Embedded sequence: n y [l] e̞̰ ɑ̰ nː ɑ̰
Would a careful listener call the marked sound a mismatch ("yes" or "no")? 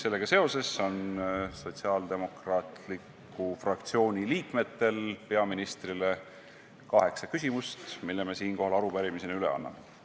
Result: no